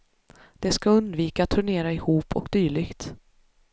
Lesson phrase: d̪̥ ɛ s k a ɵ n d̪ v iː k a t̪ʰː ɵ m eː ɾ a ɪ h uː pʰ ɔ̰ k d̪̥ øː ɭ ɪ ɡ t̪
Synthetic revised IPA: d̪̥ ɛ s k a ɵ n d̪ v iː k a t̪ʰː ɵ ɳ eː ɾ a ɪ h uː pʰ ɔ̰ k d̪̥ yː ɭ ɪ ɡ t̪